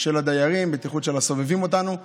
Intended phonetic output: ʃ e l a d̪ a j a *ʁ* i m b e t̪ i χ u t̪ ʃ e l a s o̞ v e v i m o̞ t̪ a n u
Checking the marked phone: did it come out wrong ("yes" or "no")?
no